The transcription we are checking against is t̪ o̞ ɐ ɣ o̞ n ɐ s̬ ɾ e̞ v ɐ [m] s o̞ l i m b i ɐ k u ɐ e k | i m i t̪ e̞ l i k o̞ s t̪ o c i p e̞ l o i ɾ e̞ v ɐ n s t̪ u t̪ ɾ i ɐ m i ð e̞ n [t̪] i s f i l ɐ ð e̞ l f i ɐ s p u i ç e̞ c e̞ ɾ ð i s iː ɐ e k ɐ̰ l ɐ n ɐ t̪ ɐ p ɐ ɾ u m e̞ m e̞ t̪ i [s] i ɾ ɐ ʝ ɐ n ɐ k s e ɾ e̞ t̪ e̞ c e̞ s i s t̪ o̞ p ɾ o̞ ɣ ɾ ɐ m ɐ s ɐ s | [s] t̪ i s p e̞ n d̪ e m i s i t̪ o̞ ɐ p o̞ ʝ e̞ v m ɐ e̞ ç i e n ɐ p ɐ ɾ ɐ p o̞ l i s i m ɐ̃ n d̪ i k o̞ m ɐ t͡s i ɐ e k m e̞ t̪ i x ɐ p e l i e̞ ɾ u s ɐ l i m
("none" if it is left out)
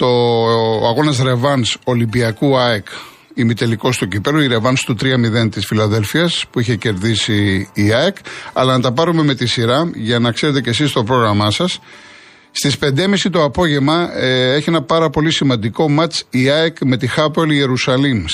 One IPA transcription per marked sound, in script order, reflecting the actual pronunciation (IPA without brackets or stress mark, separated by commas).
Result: n, t̪, s, s